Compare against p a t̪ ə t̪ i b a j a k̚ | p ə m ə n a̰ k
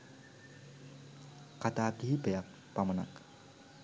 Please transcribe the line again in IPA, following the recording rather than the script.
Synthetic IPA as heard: k a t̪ a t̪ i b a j a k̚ | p a m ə n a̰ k